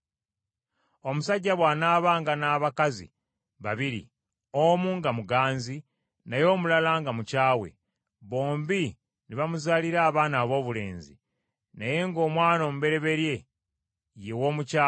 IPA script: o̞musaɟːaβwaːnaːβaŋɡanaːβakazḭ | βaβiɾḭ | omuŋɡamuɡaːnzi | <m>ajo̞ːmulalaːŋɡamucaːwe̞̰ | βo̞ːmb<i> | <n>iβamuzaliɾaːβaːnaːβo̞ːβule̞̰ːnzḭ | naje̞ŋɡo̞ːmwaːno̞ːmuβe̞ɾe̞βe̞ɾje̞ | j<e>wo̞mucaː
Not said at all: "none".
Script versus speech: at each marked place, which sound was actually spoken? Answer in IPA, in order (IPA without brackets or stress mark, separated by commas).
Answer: n, i, n, e